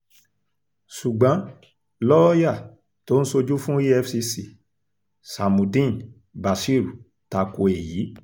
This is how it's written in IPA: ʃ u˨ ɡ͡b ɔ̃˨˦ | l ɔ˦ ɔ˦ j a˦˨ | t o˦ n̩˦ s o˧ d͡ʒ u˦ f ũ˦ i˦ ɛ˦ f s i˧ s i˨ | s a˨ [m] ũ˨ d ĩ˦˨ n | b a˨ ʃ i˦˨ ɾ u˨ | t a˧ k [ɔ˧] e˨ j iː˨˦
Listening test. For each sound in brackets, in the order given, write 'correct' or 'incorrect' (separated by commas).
correct, incorrect